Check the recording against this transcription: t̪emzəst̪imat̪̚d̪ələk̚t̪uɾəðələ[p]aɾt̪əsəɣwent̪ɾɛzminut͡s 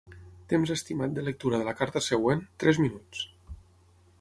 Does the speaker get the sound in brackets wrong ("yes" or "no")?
yes